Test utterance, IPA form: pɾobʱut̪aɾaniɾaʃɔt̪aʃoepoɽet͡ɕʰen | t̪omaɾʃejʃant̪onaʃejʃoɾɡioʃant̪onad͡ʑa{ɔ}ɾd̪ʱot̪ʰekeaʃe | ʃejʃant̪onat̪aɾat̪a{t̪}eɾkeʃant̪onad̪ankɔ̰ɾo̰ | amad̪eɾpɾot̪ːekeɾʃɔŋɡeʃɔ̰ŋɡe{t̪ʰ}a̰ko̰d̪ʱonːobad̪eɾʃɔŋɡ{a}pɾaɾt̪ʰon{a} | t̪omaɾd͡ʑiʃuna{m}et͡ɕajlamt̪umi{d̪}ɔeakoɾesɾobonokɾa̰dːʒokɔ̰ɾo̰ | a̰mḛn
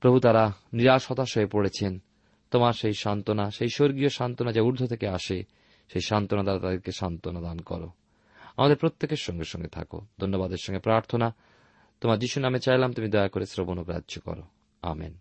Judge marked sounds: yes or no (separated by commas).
no, no, yes, no, yes, yes, yes